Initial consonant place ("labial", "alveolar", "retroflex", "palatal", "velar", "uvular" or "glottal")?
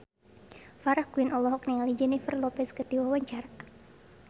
labial